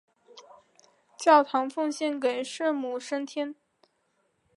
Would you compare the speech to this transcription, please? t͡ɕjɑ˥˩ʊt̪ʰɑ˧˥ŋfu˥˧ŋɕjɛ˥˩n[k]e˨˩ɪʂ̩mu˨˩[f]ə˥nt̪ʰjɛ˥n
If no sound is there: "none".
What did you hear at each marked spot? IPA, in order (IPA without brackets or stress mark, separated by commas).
k, ʂ